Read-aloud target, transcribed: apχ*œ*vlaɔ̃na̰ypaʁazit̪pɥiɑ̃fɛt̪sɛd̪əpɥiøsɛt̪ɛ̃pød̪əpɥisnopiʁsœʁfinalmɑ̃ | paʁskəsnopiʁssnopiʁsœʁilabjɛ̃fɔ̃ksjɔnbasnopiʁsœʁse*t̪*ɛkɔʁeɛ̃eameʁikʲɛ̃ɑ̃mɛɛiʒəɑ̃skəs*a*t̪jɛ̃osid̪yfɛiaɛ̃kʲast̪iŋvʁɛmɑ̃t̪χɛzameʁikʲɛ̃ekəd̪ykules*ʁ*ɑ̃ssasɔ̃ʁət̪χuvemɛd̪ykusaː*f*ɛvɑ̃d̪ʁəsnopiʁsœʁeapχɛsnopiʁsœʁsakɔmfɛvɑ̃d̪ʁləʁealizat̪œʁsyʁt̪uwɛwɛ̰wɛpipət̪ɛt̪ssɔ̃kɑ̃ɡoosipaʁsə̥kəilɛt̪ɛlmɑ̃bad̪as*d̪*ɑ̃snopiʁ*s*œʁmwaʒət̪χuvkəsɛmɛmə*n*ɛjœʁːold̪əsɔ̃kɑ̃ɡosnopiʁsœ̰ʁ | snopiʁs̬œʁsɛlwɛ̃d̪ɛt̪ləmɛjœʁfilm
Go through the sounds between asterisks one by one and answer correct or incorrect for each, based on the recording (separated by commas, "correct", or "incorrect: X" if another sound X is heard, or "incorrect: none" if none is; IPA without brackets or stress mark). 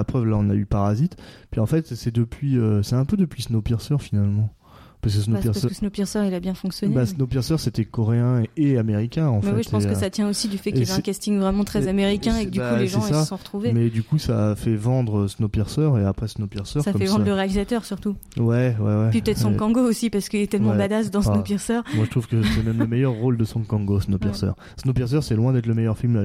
correct, correct, correct, incorrect: ʒ, correct, correct, correct, incorrect: m